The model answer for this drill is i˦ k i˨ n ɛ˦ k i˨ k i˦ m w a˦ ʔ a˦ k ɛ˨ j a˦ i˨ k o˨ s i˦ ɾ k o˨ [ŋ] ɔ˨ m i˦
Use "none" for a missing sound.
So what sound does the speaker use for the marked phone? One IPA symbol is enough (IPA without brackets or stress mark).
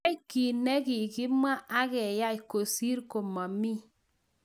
m